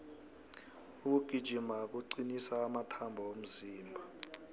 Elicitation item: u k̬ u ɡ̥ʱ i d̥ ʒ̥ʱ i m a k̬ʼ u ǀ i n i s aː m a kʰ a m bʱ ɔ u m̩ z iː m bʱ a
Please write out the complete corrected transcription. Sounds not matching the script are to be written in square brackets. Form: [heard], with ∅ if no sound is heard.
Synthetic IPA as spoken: u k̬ u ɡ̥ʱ i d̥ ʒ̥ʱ i m a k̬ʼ u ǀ i n i s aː m a [tʰ] a m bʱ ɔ [o] m̩ z iː m bʱ a